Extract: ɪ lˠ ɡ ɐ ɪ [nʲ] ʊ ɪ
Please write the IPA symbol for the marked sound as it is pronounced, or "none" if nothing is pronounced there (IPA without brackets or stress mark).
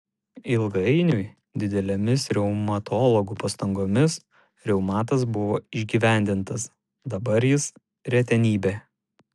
nʲ